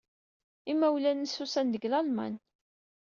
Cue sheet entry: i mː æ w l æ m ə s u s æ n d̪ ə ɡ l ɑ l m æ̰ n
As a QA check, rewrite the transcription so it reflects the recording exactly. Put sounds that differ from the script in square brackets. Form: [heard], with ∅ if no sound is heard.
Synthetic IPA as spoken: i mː æ w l æ [n] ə s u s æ n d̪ ə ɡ l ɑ l m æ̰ n